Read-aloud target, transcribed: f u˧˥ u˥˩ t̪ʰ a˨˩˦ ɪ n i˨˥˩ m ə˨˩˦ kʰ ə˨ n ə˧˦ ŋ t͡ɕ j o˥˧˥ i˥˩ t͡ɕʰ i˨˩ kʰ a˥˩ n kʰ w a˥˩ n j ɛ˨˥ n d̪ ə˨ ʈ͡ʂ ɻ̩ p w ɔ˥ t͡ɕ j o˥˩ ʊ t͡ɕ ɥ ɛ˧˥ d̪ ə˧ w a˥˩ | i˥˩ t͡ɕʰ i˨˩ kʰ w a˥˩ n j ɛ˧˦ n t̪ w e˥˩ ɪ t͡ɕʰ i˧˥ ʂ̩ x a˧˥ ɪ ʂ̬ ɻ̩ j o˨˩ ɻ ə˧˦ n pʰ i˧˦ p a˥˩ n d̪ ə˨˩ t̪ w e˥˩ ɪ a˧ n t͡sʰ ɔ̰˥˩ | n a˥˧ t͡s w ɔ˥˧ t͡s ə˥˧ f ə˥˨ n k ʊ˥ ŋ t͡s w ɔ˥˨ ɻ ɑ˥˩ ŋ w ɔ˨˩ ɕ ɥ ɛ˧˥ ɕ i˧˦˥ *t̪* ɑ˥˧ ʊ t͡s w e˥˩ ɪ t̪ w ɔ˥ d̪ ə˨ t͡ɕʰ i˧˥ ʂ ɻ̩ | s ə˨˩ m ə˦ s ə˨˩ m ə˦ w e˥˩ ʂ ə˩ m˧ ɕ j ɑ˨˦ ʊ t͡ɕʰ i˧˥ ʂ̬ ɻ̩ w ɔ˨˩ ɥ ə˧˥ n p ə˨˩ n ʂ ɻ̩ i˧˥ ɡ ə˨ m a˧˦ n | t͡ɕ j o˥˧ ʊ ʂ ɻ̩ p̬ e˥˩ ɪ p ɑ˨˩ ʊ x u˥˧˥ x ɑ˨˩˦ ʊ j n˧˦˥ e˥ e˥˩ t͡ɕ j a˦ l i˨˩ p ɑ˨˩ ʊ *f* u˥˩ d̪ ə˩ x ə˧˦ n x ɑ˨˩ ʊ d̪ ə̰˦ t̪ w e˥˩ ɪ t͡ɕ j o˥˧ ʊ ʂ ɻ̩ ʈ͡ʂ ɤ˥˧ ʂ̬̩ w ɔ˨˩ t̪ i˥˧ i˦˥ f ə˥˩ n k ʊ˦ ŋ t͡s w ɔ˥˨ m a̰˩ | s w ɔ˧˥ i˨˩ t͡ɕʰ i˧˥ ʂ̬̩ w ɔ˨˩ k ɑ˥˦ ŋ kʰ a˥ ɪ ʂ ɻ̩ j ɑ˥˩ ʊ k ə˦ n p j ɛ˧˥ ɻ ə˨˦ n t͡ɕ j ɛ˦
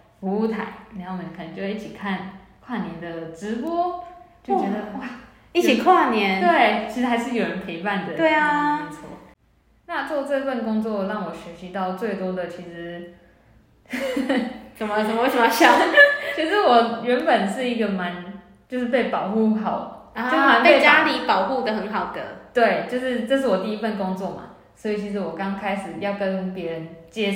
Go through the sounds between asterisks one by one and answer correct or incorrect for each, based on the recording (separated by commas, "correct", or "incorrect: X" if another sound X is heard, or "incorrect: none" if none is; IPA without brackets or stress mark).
correct, incorrect: x